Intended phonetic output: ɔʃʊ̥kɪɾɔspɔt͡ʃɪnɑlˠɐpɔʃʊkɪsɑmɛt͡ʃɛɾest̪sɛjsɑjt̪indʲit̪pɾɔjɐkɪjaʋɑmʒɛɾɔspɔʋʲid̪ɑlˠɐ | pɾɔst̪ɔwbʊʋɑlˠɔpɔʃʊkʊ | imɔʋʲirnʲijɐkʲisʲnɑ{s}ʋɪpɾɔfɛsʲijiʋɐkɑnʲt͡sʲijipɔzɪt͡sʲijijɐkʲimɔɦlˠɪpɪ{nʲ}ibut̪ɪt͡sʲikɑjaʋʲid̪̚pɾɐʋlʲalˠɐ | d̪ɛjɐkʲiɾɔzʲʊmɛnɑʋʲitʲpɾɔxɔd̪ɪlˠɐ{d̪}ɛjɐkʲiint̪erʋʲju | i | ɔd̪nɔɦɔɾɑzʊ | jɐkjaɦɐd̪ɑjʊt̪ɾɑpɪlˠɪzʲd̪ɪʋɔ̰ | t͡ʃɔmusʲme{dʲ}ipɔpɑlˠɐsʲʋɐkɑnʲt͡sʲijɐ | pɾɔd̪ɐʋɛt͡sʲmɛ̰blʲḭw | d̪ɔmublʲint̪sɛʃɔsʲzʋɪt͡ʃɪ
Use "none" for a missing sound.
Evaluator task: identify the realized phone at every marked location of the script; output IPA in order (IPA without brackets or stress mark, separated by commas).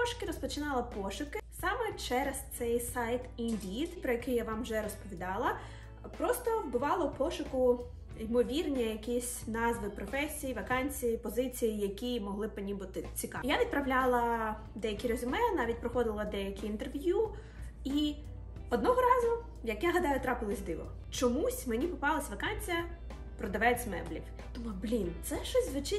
z, nʲ, d̪, nʲ